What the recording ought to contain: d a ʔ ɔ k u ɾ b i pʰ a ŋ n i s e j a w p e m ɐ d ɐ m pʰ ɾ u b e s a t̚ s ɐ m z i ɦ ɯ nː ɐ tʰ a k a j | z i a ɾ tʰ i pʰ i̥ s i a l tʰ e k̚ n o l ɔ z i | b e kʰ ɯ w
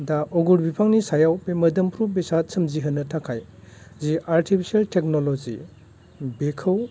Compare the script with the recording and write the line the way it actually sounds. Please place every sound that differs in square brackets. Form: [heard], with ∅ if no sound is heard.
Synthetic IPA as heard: d a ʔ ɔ [ɡ] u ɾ b i pʰ a ŋ n i s [a] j a w p e m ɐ d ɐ m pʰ ɾ u b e s a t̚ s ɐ m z i ɦ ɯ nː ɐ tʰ a [kʰ] a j | z i a ɾ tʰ i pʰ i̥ s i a l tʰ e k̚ n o l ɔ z i | b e kʰ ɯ w